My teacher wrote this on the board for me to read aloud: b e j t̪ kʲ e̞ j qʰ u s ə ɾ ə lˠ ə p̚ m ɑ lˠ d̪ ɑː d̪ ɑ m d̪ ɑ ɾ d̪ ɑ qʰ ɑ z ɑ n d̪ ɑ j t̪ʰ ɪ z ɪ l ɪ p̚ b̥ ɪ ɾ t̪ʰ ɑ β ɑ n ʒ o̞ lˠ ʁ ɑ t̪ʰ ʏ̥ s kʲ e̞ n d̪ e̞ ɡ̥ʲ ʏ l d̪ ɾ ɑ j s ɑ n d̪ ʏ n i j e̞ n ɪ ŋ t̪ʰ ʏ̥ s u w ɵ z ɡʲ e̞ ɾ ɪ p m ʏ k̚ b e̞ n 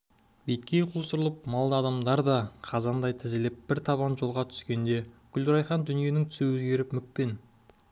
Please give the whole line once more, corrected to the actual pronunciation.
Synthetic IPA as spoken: b e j t̪ kʲ e̞ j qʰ u s ə ɾ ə lˠ ə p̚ m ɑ lˠ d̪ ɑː d̪ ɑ m d̪ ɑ ɾ d̪ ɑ qʰ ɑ z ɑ n d̪ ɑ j t̪ʰ ɪ z ɪ l ɪ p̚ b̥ ɪ ɾ t̪ʰ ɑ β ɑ n ʒ o̞ lˠ ʁ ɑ t̪ʰ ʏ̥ s kʲ e̞ n d̪ e̞ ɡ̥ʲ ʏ l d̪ ɾ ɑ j χ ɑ n d̪ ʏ n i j e̞ n ɪ ŋ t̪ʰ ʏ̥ s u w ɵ z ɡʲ e̞ ɾ ɪ p m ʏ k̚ p e̞ n